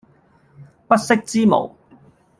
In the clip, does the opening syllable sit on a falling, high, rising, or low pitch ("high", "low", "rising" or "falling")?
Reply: high